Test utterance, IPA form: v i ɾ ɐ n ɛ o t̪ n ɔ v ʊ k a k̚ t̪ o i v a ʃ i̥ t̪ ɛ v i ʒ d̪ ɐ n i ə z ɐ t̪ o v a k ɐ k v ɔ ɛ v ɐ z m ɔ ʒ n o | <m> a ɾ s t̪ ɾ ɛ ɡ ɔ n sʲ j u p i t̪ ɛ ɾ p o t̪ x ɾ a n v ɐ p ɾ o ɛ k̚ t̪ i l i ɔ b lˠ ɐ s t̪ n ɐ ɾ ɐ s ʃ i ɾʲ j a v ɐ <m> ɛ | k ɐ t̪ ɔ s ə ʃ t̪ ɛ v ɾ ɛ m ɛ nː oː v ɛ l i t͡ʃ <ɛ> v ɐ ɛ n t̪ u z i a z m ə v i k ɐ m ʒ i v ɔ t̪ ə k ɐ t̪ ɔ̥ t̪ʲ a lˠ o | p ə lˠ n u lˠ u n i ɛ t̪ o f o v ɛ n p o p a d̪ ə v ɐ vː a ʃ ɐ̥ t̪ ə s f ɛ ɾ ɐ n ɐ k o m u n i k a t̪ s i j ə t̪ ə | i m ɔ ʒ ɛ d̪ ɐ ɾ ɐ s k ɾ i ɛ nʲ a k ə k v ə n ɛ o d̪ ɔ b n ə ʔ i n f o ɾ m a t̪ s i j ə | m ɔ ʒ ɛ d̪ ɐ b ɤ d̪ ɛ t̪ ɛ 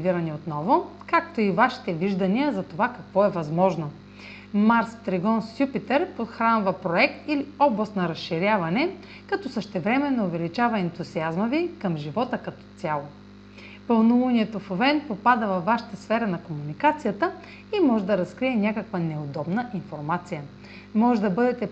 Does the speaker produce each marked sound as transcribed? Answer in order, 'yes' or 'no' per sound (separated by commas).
yes, no, no